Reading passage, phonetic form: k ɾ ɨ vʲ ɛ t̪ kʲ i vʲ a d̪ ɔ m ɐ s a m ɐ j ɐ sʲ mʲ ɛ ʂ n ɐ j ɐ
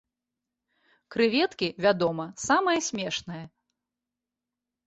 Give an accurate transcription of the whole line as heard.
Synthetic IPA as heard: k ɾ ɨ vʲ ɛ t̪ kʲ i vʲ a d̪ ɔ m ɐ s a m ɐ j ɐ sʲ mʲ ɛ ʂ n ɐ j ɐ